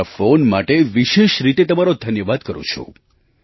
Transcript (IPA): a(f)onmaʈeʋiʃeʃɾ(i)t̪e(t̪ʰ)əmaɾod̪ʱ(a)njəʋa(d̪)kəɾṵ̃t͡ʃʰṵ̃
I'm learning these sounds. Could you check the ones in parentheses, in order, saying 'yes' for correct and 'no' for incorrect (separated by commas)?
yes, yes, no, no, yes